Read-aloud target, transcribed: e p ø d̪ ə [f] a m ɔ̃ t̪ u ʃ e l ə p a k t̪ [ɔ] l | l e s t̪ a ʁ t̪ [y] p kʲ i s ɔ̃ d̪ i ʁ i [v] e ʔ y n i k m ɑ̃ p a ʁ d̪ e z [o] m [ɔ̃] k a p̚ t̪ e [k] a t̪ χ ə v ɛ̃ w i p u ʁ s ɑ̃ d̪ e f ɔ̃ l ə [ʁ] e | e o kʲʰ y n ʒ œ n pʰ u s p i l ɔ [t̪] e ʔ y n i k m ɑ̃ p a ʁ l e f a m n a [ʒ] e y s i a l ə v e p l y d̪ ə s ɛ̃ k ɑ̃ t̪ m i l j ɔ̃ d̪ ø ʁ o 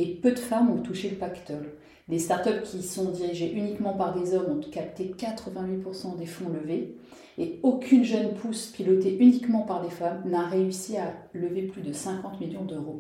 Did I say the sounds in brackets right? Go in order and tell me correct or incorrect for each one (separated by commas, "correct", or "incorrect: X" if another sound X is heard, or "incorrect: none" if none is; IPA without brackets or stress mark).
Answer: correct, correct, incorrect: œ, incorrect: ʒ, incorrect: ɔ, correct, correct, incorrect: v, correct, incorrect: ʁ